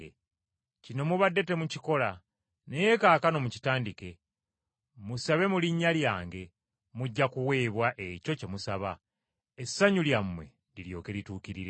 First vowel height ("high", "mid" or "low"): high